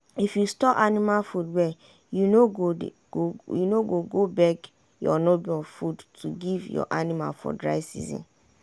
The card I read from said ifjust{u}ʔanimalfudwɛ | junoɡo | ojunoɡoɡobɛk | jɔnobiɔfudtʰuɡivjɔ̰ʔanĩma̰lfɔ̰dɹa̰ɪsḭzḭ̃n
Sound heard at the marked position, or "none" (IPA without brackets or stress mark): ɔ